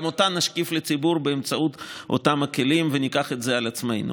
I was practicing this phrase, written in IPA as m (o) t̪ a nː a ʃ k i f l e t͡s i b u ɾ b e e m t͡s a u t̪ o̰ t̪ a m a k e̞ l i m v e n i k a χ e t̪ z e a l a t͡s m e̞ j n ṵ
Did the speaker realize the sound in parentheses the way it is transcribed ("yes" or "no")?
yes